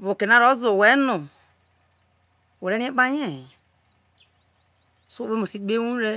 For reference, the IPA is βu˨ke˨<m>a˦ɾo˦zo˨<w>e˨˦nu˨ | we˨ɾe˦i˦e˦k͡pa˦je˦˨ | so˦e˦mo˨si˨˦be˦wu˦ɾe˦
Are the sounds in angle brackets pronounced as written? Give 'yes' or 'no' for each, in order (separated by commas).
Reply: no, yes